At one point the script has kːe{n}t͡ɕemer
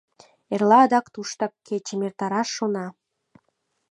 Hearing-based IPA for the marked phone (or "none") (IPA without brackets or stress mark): none